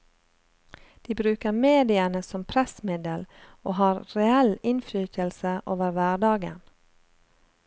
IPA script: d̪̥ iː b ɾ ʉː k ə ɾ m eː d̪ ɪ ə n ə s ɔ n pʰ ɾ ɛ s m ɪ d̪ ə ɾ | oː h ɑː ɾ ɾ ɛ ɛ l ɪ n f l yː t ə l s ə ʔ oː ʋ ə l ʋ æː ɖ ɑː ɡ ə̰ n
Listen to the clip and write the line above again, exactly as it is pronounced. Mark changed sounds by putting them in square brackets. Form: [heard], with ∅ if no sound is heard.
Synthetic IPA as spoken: d̪̥ iː b ɾ ʉː k ə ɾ m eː d̪ ɪ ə n ə s ɔ [m] pʰ ɾ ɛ s m ɪ d̪ ə [l] | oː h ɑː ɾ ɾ ɛ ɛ l ɪ n f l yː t ə l s ə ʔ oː ʋ ə [ɾ] ʋ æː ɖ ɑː ɡ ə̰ n